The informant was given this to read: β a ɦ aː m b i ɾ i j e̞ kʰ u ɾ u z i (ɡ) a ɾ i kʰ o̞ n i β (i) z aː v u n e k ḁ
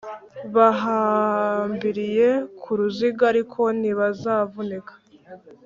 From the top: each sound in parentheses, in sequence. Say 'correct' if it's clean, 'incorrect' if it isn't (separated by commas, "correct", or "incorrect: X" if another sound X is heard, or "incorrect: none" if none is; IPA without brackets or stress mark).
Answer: correct, incorrect: a